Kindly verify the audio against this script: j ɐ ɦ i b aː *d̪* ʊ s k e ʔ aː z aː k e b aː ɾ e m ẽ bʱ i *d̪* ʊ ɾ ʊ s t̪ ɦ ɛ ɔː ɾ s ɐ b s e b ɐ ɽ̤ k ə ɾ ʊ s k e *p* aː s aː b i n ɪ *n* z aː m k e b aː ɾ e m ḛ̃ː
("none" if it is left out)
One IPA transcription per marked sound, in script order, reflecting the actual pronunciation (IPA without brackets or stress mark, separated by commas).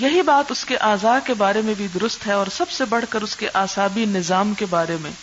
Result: t̪, d̪, ʔ, none